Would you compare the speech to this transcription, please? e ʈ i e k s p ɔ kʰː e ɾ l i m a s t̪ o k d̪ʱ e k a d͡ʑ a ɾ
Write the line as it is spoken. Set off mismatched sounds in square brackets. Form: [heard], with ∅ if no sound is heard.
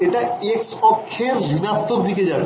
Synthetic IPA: e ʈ [a] e k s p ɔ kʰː e ɾ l i [n] a s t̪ o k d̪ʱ [i] k [e] d͡ʑ a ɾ